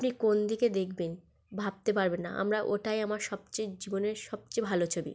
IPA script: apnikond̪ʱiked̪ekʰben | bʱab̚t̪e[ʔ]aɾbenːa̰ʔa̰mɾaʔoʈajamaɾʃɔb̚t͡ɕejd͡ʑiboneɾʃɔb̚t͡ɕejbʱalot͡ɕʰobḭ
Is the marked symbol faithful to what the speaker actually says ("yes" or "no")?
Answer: no